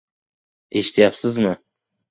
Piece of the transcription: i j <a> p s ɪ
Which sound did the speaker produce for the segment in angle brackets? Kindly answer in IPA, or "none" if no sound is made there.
a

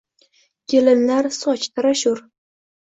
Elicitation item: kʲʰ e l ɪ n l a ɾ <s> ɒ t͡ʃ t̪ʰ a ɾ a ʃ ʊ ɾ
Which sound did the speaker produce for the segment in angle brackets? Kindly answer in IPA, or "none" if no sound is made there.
s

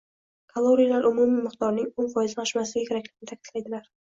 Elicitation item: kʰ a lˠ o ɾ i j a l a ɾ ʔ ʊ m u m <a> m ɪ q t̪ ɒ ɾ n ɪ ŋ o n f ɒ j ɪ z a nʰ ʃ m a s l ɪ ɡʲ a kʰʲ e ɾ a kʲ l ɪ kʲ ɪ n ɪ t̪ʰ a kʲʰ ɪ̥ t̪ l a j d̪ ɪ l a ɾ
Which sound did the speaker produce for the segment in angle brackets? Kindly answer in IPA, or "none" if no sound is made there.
i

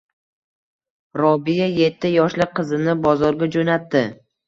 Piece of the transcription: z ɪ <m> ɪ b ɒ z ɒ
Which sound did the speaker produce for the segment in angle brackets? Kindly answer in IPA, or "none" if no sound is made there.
n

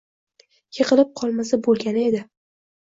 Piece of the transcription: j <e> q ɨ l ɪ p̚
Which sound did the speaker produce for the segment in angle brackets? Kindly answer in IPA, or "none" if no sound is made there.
e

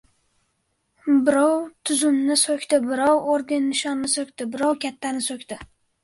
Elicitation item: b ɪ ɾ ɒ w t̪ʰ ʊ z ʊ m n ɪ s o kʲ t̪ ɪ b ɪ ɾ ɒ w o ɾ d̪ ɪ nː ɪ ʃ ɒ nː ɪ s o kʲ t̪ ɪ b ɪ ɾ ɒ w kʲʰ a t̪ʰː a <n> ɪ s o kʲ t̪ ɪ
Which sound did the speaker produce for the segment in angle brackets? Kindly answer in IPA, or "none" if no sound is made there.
n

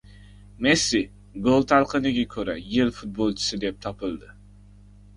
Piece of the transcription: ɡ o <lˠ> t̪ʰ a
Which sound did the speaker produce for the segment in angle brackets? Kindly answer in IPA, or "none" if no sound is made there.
lˠ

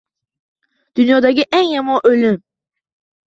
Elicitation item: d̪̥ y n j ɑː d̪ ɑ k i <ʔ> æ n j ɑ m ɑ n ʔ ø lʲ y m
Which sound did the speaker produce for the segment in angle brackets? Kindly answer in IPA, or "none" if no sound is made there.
ʔ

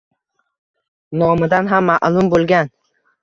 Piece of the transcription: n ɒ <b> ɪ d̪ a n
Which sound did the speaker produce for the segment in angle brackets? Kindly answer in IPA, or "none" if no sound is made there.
m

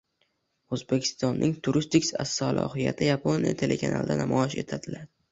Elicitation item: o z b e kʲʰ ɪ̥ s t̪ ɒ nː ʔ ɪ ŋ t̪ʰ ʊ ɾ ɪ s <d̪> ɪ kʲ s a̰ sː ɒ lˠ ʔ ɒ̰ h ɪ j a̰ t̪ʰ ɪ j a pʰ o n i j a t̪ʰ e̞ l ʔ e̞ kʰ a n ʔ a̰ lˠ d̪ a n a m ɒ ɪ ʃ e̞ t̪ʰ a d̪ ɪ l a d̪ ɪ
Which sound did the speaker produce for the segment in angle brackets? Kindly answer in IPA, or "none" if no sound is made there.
t̪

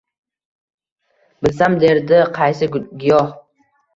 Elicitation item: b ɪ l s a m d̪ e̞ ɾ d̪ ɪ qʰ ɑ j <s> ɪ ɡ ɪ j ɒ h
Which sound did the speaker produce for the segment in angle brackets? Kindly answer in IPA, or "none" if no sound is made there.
s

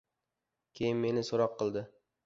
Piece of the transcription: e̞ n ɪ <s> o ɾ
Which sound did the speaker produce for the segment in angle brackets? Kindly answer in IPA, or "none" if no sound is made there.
s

